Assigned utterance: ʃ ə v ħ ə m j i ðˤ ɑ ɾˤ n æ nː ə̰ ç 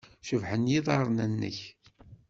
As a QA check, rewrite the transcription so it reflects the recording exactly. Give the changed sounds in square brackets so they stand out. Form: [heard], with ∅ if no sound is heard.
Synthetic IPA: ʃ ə v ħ ə [n] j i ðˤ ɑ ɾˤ n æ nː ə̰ ç